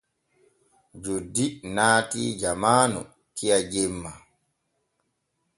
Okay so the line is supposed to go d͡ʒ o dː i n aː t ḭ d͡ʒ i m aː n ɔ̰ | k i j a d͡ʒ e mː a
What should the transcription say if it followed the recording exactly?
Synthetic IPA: d͡ʒ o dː i n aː t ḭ d͡ʒ a m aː n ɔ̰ | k i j a d͡ʒ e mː a